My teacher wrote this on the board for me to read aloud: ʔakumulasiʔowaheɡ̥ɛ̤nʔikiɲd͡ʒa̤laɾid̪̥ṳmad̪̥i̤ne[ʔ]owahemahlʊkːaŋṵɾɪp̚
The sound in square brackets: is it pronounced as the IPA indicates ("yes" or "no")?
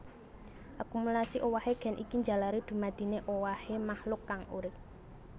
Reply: yes